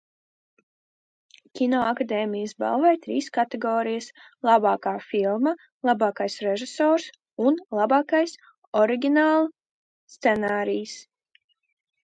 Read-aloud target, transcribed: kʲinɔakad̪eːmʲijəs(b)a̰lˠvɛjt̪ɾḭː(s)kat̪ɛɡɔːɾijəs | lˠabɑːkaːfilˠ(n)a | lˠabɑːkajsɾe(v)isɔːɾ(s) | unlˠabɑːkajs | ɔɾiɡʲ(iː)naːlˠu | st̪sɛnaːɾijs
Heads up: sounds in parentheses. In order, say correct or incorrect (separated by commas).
correct, correct, incorrect, incorrect, correct, incorrect